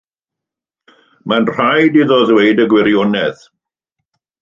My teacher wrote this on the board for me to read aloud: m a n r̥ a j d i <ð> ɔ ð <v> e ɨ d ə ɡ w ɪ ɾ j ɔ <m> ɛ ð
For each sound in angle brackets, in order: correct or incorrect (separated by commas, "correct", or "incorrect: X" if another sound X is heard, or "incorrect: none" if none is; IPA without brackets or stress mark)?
correct, incorrect: w, incorrect: n